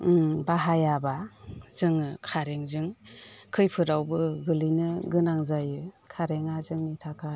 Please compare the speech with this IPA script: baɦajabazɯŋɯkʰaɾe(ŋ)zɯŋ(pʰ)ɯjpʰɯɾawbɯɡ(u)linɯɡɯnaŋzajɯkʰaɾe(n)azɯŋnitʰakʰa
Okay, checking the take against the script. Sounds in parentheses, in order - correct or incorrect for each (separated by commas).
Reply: correct, incorrect, incorrect, incorrect